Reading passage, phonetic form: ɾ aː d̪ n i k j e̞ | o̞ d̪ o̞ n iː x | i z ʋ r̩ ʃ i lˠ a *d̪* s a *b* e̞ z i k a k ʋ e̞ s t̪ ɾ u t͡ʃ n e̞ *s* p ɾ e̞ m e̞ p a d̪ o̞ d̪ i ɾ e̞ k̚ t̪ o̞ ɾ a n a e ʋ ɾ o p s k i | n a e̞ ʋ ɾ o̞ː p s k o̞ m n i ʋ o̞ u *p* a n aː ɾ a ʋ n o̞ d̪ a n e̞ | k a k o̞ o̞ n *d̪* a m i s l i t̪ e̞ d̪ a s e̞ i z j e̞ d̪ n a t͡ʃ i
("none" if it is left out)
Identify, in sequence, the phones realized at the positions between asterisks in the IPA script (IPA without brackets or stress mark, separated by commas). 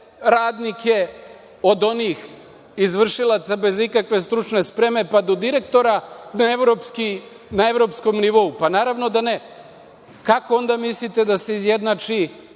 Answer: t̪, b, s, p, d̪